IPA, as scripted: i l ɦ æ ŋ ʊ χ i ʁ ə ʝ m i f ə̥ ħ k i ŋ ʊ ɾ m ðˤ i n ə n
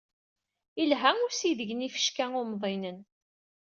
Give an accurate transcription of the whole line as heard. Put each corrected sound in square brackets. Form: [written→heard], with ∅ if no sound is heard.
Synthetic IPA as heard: i l ɦ æ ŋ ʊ [χ→s] i [ʁ→ð] ə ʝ [m→n] i f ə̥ [ħ→ʃ] k [i→æ] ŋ ʊ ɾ m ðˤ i n ə n